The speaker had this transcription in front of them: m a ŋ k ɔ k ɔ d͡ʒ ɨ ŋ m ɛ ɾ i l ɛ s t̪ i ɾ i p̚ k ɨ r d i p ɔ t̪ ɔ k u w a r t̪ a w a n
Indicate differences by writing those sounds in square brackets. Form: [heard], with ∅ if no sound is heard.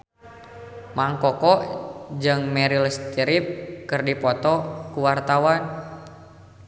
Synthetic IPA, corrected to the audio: m a ŋ k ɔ k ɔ d͡ʒ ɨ ŋ m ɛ ɾ i l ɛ s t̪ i ɾ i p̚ k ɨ r d i p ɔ t̪ ɔ k u w a r t̪ a w a n